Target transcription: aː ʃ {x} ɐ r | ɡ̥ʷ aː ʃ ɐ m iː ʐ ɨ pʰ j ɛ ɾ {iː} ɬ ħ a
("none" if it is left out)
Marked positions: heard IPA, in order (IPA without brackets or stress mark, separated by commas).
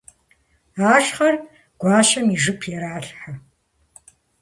χ, aː